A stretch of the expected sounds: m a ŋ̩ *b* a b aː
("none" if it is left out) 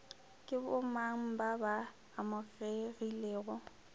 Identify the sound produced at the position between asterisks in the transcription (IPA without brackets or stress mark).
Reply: b